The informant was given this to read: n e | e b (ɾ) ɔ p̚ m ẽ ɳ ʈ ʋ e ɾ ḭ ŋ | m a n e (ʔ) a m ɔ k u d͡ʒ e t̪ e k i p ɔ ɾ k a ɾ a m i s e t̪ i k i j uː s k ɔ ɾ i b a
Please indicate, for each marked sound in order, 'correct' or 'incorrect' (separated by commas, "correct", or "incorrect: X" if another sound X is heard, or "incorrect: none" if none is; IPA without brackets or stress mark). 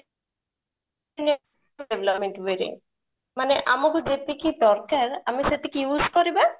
incorrect: l, correct